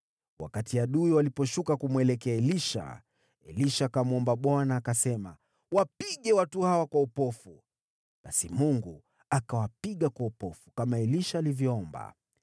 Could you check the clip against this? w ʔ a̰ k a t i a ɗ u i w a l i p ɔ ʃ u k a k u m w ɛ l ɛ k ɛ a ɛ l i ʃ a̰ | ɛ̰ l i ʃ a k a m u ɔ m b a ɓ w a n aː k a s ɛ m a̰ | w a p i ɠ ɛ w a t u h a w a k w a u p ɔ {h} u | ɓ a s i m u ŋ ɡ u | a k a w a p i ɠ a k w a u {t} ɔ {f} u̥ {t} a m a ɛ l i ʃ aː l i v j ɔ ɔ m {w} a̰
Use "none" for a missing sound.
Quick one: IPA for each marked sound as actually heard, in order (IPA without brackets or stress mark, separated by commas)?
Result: f, p, f, k, b